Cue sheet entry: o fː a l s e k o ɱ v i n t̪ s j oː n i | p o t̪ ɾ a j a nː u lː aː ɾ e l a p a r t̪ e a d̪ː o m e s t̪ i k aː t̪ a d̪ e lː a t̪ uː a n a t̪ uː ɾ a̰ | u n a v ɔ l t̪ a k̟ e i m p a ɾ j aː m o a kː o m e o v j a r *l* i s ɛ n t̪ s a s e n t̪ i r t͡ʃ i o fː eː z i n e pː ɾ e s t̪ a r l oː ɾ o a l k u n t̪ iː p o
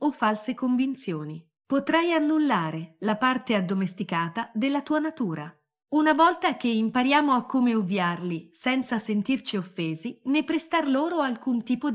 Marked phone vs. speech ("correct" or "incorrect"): correct